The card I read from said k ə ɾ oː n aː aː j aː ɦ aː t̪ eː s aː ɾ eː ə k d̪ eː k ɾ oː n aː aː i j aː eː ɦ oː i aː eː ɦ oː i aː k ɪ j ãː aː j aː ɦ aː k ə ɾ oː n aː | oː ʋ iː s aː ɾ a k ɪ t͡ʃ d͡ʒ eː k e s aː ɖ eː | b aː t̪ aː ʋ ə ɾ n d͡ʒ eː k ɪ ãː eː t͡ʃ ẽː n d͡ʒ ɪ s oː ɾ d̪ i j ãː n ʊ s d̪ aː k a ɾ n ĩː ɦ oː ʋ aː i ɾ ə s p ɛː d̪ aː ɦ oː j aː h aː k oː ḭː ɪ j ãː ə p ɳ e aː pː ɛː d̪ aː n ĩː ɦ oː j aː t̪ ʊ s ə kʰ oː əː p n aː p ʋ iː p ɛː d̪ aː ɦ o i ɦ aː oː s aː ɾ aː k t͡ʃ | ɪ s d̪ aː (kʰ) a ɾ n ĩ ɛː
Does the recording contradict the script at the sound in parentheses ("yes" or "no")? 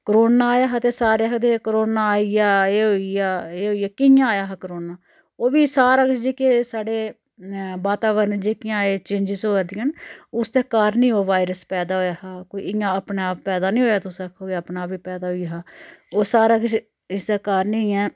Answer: yes